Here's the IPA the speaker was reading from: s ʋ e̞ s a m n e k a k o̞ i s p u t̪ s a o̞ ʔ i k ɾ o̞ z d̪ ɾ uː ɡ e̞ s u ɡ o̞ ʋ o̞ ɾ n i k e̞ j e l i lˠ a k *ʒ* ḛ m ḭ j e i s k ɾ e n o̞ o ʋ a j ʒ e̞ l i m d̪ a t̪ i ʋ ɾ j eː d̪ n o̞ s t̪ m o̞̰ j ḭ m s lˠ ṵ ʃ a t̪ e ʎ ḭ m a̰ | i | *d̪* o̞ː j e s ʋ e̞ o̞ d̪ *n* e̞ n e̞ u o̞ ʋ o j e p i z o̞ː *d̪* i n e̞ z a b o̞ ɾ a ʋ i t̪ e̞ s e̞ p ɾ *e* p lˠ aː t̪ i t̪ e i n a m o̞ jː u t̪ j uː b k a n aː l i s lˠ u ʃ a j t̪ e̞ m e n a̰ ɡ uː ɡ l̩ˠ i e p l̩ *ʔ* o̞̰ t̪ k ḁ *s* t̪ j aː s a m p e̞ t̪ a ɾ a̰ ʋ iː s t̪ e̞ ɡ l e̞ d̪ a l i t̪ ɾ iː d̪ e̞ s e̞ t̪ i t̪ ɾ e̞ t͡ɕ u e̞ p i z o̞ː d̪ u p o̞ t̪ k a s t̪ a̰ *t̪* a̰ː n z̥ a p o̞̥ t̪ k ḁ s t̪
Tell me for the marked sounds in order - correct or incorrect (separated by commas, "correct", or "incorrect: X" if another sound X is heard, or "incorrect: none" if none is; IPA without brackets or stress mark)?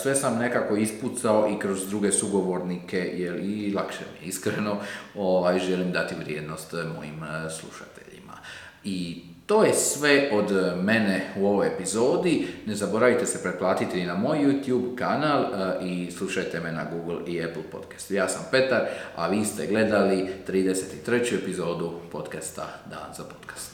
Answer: incorrect: ʃ, incorrect: t̪, incorrect: m, correct, correct, incorrect: p, correct, incorrect: d̪